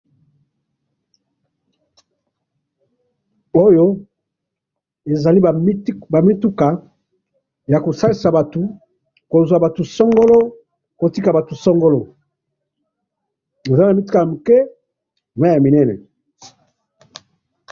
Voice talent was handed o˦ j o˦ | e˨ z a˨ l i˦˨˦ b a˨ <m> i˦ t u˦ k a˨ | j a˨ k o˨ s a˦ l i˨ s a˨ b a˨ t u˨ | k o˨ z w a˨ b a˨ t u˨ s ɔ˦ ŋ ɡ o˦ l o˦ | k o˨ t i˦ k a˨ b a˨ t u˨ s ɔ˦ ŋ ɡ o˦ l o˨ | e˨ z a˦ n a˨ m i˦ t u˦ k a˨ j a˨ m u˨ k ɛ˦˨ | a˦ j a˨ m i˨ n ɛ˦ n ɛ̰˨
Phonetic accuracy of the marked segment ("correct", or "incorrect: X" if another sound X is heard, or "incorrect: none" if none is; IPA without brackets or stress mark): correct